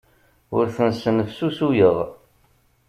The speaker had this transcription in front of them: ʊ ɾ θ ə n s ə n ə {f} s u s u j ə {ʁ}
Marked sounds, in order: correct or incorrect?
correct, correct

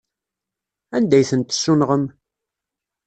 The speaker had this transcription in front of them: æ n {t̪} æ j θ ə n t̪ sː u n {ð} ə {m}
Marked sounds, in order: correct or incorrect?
incorrect: d̪, incorrect: ʁ, correct

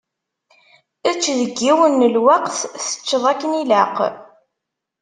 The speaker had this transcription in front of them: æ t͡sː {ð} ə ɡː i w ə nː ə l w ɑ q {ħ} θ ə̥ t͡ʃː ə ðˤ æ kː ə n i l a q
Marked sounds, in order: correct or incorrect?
correct, incorrect: θ

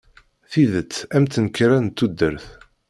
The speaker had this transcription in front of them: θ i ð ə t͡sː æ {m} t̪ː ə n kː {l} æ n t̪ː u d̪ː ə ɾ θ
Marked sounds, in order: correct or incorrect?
correct, incorrect: ɾ

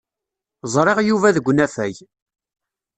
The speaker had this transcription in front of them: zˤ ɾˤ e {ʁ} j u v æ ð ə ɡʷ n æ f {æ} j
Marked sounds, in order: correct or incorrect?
correct, correct

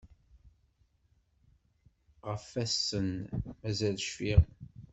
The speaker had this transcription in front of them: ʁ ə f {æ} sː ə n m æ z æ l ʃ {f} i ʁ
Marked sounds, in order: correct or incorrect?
correct, correct

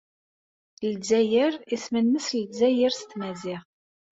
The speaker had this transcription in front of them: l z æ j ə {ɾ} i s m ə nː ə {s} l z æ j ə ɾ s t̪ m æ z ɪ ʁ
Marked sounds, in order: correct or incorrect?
correct, correct

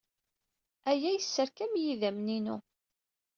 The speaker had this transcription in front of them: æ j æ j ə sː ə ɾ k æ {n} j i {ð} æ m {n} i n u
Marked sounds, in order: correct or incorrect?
incorrect: m, correct, correct

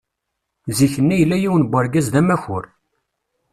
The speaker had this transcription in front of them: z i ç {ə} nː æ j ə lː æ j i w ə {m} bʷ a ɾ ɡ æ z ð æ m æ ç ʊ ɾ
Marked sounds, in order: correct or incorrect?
correct, incorrect: n

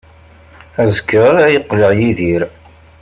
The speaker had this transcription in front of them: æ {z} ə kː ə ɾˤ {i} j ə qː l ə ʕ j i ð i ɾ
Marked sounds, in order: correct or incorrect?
correct, incorrect: æ

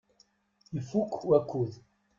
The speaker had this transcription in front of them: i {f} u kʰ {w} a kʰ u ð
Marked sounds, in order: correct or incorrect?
correct, correct

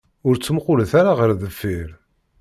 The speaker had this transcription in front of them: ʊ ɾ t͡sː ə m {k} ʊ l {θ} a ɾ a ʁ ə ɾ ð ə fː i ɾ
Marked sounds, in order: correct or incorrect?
incorrect: q, correct

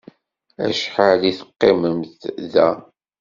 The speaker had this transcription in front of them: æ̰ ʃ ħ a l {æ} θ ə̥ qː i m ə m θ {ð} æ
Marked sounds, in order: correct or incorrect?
incorrect: i, correct

